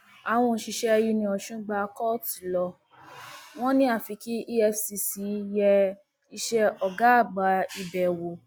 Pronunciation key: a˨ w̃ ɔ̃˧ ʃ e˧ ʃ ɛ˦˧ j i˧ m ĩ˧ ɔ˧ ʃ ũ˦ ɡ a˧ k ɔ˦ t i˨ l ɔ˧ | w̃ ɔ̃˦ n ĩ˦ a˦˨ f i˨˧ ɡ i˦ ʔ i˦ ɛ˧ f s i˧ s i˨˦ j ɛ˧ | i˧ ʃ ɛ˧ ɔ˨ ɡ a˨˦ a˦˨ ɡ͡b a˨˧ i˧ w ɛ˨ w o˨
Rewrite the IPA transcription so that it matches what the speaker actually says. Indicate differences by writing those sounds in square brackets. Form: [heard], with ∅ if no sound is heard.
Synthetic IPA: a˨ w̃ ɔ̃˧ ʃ [i˧] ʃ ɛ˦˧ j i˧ [n] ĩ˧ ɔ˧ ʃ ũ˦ [ɡ͡b] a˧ k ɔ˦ t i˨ l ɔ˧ | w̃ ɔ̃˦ n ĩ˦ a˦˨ f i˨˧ [k] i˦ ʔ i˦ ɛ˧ f s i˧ s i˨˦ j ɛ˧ | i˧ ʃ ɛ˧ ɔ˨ ɡ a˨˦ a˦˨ ɡ͡b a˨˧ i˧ [b] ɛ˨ w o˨